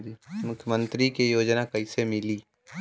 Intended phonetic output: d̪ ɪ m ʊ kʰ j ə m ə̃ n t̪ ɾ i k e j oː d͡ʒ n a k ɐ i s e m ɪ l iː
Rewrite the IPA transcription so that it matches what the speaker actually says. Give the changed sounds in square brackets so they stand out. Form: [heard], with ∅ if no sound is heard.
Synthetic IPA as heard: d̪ [i] m ʊ kʰ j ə m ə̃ n t̪ ɾ i k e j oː d͡ʒ n a k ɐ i s e m ɪ l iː